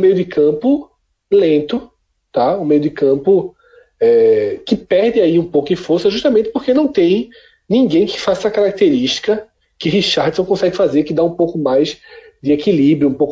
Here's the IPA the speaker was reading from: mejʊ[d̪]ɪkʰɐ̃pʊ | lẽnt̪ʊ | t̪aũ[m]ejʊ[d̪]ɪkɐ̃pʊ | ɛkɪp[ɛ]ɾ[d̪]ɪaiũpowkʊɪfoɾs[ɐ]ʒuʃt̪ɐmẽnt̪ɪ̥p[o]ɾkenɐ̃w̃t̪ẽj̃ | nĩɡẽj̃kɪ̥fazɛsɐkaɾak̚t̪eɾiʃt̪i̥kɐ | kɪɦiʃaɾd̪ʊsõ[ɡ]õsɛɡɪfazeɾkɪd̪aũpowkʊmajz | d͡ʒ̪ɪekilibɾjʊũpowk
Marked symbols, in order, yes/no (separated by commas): yes, yes, yes, yes, yes, yes, yes, no